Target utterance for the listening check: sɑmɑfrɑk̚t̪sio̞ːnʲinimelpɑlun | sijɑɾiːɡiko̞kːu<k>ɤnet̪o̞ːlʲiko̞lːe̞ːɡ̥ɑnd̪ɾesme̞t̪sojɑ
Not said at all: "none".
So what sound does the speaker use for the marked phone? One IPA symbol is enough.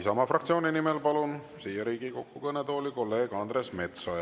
k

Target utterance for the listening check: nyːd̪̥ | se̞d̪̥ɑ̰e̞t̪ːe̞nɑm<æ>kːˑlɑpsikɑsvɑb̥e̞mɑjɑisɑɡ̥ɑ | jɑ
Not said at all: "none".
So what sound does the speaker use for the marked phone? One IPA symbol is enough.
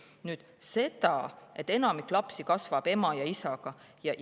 i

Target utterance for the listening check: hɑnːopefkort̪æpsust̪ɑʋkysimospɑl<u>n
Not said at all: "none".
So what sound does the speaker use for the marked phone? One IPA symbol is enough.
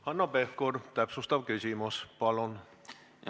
o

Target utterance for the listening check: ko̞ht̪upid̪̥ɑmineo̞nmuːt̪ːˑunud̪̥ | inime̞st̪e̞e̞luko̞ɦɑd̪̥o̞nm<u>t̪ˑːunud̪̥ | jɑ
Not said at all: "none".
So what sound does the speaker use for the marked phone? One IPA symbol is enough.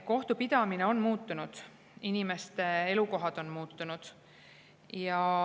uː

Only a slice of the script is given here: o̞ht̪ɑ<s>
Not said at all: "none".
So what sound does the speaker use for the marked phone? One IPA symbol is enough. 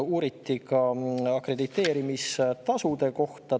none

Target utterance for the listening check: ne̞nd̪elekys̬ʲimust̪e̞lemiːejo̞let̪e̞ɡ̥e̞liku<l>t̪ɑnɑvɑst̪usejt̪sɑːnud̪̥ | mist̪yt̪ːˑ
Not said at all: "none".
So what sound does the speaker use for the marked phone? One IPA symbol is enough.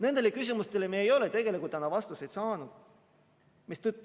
l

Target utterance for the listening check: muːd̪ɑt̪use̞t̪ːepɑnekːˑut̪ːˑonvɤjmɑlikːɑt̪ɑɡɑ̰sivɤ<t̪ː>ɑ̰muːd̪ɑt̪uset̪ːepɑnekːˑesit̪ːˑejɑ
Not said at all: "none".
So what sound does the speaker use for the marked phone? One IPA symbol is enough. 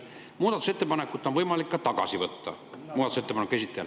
t̪ː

